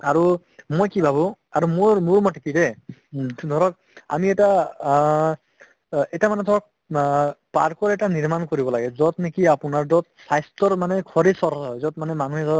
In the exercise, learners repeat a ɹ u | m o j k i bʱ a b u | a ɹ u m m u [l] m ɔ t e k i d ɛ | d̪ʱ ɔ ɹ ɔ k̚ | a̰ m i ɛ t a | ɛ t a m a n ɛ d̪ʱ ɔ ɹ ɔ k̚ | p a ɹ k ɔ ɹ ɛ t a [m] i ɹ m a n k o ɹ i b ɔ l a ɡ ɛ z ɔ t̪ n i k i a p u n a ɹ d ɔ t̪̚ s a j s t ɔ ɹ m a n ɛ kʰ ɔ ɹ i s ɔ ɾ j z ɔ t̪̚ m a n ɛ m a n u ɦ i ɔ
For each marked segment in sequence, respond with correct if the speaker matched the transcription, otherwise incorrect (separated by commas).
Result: incorrect, incorrect